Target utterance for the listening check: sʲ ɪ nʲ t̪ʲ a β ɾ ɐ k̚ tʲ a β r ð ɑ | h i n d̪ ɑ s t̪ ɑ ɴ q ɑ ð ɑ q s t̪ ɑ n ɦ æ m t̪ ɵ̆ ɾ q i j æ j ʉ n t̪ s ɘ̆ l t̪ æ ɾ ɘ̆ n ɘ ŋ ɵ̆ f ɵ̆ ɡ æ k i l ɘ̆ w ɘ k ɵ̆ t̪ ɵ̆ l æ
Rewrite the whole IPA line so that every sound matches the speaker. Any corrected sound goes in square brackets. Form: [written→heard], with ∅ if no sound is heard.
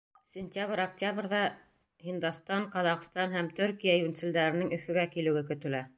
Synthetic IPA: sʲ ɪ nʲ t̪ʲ a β ɾ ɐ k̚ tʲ a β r ð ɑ | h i n d̪ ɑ s t̪ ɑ ɴ q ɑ ð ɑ q s t̪ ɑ n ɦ æ m t̪ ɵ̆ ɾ [q→k] i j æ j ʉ n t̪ s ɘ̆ l [t̪→d̪] æ ɾ ɘ̆ n ɘ ŋ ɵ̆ f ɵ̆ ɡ æ k i l ɘ̆ w ɘ k ɵ̆ t̪ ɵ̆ l æ

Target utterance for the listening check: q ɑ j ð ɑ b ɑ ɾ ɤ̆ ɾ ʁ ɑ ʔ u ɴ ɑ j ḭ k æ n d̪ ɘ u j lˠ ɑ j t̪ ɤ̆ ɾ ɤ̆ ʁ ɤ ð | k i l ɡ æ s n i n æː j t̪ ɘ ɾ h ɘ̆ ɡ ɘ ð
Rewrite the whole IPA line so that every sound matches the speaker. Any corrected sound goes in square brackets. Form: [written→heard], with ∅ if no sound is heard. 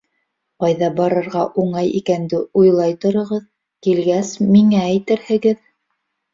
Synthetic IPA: q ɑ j ð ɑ b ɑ ɾ ɤ̆ ɾ ʁ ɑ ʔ u ɴ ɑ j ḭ k æ n d̪ ɘ u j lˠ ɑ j t̪ [ɤ̆→ŏ] ɾ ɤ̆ ʁ ɤ ð | k i l ɡ æ s [n→m] i [n→ŋ] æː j t̪ ɘ ɾ h ɘ̆ ɡ ɘ ð

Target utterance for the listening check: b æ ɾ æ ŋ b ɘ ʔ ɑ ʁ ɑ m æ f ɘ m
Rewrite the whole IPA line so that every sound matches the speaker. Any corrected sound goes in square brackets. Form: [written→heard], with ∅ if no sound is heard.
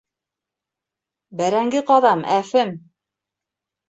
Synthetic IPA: b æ ɾ æ ŋ [b→ɡ] ɘ [ʔ→q] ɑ [ʁ→ð] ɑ m æ f ɘ m

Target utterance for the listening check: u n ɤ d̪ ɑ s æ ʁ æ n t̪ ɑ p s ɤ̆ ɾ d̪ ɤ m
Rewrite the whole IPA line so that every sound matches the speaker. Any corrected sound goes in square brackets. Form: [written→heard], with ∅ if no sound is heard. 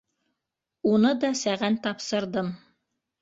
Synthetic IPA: u n ɤ d̪ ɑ s æ ʁ æ n t̪ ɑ p s ɤ̆ ɾ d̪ ɤ m

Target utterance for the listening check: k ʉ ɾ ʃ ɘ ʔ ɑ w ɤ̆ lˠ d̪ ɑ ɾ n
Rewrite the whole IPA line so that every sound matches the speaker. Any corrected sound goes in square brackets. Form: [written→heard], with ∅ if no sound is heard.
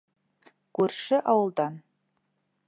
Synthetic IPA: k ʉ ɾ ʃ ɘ ʔ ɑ w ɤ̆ lˠ d̪ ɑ [ɾ→∅] n

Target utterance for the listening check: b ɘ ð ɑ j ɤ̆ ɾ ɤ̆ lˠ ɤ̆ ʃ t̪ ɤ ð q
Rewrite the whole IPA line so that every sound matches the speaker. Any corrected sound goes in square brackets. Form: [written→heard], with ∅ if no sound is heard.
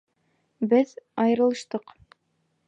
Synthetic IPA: b ɘ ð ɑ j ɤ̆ ɾ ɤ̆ lˠ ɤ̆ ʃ t̪ ɤ [ð→∅] q

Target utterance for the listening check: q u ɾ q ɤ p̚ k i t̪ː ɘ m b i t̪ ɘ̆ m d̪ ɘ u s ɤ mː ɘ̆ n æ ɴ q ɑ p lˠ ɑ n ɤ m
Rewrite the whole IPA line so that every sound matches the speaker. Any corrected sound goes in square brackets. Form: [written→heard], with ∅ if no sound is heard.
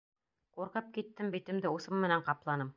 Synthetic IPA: q u ɾ q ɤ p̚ k i t̪ː ɘ m b i t̪ ɘ̆ m d̪ ɘ u s ɤ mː ɘ̆ n æ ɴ q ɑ p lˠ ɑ n ɤ m

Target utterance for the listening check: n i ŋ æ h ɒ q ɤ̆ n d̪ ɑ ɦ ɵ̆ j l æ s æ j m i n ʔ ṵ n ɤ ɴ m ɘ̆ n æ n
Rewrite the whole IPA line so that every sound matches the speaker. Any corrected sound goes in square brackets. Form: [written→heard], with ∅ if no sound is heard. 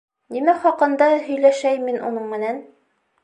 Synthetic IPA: n i [ŋ→m] æ [h→χ] ɒ q ɤ̆ n d̪ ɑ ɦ ɵ̆ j l æ [s→ʃ] æ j m i n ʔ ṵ n ɤ ɴ m ɘ̆ n æ n

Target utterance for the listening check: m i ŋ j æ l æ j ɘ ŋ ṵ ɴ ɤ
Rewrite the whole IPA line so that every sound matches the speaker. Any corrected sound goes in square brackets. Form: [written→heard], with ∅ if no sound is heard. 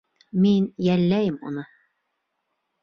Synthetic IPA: m i [ŋ→n] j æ [l→lː] æ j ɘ [ŋ→m] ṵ [ɴ→n] ɤ

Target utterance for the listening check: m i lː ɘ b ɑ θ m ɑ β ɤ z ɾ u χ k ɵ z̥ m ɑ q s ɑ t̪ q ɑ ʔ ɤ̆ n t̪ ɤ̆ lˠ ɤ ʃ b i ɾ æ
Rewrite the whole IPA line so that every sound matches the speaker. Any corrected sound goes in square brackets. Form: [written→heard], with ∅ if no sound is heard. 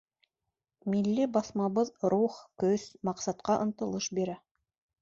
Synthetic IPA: m i lː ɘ b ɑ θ m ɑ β ɤ [z→ð] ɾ u χ k ɵ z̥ m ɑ q s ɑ t̪ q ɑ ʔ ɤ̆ n t̪ ɤ̆ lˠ ɤ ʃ b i ɾ æ

